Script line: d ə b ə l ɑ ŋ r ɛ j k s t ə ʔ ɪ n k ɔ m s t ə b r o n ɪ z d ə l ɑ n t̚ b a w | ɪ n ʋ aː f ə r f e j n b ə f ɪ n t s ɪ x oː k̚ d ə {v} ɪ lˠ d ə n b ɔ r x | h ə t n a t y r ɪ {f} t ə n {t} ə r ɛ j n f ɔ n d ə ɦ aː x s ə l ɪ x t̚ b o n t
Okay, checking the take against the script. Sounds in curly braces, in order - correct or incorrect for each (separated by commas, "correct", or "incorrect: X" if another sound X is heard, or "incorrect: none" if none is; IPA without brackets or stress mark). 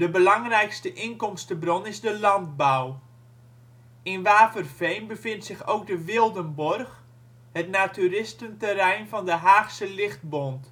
incorrect: ʋ, incorrect: s, correct